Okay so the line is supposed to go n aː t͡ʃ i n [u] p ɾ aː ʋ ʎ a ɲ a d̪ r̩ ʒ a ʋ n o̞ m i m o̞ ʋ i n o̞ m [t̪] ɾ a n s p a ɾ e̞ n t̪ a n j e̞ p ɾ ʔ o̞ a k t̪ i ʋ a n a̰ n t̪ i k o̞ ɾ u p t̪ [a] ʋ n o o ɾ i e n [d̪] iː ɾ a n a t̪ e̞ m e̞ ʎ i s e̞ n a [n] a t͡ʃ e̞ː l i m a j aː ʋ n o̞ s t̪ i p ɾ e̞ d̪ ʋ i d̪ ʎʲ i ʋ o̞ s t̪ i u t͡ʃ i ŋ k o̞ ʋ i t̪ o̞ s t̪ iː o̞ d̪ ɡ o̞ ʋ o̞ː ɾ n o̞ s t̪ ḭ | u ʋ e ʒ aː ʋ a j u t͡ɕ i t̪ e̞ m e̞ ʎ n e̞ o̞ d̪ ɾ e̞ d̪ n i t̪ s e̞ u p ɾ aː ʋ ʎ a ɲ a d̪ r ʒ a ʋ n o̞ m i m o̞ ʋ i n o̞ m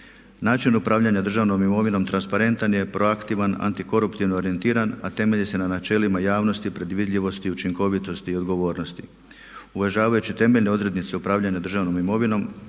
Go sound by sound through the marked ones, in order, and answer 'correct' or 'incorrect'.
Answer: correct, correct, incorrect: i, incorrect: t̪, correct

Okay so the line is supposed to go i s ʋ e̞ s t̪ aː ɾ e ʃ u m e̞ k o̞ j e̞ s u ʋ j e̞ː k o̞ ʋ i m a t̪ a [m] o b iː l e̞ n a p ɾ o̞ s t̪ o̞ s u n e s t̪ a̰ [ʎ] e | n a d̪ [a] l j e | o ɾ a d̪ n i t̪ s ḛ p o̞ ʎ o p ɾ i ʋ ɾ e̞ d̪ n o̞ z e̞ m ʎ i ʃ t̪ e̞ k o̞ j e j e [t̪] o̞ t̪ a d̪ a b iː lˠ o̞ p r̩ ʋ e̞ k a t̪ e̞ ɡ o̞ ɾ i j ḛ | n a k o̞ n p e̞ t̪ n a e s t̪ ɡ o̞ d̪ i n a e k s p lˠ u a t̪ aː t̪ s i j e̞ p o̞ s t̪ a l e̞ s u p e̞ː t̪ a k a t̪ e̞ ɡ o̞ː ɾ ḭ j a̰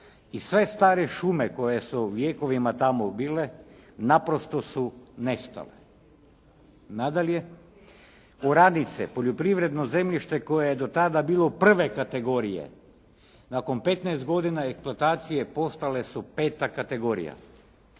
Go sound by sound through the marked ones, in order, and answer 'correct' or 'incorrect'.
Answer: correct, incorrect: l, correct, incorrect: d̪

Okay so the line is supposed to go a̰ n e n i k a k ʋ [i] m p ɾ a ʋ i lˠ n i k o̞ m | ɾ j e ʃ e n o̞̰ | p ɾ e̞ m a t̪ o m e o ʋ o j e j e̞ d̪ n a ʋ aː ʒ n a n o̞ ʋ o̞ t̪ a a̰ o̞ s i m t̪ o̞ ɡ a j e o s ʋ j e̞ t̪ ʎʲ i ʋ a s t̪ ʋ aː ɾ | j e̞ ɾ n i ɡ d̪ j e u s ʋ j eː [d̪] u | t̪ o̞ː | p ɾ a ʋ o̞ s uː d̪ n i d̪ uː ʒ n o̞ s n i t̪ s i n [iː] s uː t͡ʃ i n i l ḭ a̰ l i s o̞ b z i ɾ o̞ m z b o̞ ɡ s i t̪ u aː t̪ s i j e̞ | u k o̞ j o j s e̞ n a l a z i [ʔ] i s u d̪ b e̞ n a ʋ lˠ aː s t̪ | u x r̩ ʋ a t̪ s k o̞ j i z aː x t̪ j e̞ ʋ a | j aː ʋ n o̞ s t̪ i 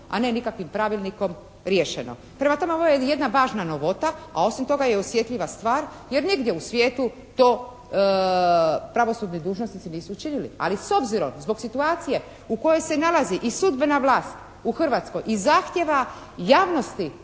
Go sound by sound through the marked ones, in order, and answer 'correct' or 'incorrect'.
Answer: correct, incorrect: t̪, correct, correct

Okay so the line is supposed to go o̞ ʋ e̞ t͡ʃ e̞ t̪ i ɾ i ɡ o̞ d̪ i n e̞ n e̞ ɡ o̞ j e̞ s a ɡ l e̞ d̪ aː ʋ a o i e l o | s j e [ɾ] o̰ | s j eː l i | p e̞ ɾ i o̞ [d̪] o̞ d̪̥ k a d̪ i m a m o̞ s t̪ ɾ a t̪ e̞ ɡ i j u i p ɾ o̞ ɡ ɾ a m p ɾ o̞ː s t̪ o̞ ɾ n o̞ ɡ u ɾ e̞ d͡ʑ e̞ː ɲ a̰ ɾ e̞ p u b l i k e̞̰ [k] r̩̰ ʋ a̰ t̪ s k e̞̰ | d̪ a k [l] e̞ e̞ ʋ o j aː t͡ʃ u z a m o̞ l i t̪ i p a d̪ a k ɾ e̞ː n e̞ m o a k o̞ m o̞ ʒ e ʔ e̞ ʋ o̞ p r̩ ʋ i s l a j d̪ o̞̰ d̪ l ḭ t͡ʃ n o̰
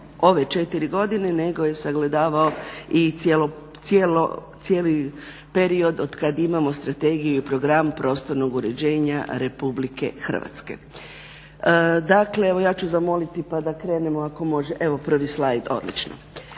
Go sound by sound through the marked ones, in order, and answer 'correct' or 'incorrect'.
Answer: incorrect: l, correct, incorrect: x, correct

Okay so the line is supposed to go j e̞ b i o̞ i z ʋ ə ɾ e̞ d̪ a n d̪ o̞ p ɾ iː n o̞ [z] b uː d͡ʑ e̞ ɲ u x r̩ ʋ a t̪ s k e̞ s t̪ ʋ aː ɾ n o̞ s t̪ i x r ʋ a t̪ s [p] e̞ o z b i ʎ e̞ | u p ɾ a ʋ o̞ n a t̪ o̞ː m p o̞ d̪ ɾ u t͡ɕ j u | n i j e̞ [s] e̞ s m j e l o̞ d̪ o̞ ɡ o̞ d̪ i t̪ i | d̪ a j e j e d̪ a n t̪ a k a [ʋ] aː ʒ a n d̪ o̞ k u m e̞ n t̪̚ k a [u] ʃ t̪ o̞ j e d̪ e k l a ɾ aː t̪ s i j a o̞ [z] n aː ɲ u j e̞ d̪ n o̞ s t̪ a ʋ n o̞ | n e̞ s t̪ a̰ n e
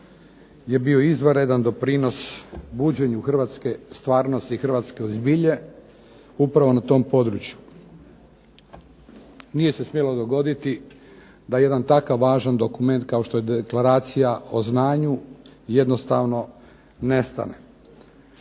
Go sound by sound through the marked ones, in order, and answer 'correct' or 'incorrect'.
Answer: incorrect: s, incorrect: k, correct, incorrect: ʋː, incorrect: o, correct

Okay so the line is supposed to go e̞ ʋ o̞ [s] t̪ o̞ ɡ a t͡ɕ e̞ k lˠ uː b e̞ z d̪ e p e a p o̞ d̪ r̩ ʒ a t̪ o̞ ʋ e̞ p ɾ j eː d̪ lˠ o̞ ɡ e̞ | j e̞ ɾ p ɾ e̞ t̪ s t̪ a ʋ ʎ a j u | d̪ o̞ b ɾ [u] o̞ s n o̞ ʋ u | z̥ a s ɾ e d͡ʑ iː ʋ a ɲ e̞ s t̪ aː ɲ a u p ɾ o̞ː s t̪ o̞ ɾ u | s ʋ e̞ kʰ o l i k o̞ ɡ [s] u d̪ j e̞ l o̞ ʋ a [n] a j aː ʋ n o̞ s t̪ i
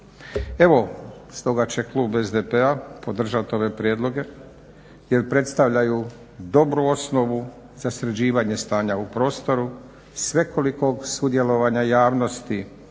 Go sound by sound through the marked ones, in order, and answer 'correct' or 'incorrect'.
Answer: correct, correct, correct, incorrect: ɲ

